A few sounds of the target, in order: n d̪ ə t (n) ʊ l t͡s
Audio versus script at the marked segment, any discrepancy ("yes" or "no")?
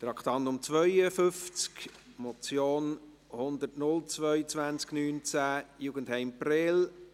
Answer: no